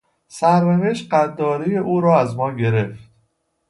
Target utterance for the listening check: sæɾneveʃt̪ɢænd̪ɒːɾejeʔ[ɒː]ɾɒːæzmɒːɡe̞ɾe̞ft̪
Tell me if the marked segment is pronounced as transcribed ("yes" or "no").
no